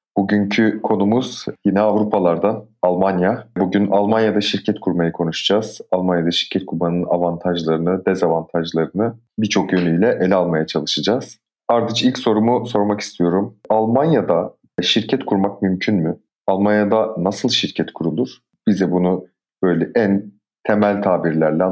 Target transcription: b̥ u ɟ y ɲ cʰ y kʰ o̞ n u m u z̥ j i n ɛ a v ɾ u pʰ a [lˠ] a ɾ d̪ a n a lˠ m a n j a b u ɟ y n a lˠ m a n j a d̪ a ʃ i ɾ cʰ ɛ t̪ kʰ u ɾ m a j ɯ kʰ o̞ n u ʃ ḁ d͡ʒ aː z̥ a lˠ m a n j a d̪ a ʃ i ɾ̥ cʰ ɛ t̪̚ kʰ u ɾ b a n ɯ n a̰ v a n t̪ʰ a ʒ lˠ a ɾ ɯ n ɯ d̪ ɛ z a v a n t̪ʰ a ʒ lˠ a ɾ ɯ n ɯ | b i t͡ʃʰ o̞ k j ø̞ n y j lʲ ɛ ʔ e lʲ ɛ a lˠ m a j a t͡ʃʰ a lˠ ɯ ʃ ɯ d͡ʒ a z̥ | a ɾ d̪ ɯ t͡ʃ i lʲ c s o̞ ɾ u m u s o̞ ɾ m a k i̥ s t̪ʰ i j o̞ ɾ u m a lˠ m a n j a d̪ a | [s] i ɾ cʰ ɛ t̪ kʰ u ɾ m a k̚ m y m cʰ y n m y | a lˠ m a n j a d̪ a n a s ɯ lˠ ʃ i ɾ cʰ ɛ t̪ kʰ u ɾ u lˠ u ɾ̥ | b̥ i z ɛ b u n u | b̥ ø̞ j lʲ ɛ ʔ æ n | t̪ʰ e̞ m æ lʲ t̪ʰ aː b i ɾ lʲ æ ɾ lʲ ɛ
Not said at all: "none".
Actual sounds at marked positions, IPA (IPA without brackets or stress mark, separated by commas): lˠ, ʃ